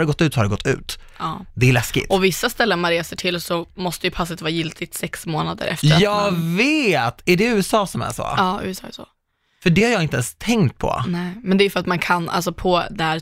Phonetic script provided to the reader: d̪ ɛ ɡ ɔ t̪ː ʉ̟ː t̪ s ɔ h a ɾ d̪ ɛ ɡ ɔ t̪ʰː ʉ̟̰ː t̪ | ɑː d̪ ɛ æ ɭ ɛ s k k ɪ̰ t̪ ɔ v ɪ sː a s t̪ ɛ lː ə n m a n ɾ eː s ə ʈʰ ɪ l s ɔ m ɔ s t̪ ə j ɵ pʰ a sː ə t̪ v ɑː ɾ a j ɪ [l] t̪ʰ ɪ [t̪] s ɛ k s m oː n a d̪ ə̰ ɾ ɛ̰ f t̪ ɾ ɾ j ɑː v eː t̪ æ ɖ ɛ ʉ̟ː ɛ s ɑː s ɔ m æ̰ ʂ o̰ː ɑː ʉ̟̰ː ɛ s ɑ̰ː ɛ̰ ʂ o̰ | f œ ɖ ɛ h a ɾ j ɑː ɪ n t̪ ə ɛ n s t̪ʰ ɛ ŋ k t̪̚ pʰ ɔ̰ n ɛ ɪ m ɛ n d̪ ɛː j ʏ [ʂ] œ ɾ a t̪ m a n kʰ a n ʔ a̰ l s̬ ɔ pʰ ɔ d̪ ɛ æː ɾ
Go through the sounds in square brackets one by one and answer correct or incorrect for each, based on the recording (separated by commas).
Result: correct, correct, incorrect